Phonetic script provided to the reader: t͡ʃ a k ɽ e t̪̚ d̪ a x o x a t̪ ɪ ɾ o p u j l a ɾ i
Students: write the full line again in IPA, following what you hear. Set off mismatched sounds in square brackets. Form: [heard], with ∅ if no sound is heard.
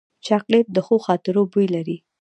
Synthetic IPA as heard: t͡ʃ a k [l] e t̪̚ d̪ [ə] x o x [ɑ] t̪ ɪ ɾ o [b] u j l a ɾ i